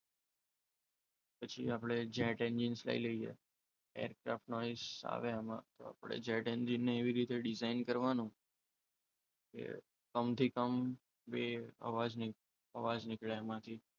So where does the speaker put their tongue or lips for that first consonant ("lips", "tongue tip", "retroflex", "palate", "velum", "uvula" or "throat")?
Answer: lips